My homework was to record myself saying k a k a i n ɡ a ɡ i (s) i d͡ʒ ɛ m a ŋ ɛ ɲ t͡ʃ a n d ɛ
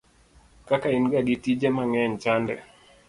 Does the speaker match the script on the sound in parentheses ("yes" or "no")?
no